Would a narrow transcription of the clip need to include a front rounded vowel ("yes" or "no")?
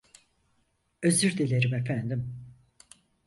yes